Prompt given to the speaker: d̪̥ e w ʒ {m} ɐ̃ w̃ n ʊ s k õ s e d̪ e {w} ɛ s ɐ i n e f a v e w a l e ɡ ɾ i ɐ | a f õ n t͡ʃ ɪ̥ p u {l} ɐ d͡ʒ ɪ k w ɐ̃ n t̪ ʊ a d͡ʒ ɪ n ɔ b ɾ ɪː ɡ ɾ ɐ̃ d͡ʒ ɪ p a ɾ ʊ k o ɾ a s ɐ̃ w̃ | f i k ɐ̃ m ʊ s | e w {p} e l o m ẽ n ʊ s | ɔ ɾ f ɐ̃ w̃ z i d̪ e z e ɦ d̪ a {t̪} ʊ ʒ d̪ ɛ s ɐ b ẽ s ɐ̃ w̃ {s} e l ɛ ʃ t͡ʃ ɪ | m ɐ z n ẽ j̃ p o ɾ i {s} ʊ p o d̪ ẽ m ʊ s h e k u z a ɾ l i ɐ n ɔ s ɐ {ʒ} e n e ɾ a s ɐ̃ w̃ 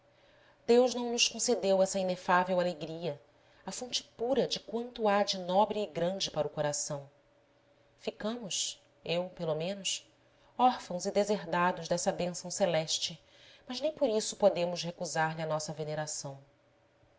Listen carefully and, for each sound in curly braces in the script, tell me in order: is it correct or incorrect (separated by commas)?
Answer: incorrect, correct, incorrect, correct, incorrect, correct, correct, incorrect